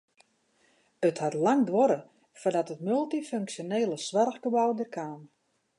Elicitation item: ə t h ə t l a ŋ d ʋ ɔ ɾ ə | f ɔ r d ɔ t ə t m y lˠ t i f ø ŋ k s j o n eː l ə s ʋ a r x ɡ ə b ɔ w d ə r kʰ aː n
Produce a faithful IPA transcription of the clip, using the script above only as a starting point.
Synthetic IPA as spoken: ə t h a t l a ŋ d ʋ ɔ ɾ ə | f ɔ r d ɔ t ə t m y lˠ t i f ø ŋ k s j o n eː l ə s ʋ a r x ɡ ə b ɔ w d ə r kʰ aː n